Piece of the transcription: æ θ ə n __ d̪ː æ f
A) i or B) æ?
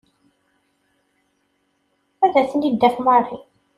A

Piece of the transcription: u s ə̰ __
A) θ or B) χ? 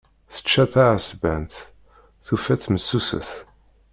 A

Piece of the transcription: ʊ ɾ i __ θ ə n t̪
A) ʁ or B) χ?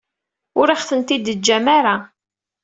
B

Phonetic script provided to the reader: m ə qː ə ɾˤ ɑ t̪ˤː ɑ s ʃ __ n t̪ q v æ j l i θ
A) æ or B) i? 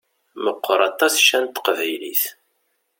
A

